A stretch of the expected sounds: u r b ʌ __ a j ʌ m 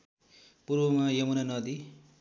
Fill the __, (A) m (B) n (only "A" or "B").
A